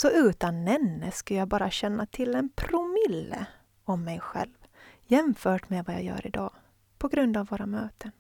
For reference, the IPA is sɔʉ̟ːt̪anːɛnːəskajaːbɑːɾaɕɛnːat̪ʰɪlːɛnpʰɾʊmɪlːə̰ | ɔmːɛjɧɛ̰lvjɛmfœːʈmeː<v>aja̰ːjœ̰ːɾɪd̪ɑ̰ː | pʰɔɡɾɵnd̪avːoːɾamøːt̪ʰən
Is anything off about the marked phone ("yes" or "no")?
no